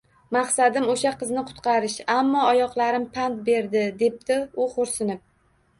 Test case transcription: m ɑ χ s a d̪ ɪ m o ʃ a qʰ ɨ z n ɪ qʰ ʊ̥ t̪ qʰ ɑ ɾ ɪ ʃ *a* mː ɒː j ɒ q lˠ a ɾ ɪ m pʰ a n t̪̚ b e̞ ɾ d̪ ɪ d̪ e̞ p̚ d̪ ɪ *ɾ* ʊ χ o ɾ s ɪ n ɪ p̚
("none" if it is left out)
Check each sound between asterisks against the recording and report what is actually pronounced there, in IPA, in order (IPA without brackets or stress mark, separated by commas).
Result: a, none